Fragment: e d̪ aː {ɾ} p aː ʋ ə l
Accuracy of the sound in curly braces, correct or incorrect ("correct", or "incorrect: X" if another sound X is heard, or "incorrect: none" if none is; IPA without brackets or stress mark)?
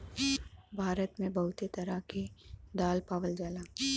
incorrect: l